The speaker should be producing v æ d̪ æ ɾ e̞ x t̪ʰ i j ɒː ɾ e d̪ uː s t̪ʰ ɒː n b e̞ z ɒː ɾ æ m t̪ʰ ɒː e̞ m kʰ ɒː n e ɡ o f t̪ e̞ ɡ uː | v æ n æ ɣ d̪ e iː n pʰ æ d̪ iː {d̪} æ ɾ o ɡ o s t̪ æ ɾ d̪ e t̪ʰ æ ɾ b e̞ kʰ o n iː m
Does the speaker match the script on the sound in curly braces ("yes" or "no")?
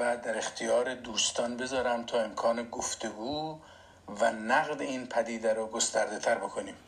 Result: yes